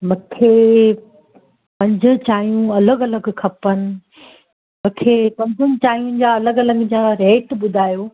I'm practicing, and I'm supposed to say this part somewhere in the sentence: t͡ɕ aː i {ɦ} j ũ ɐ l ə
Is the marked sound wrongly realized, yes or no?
yes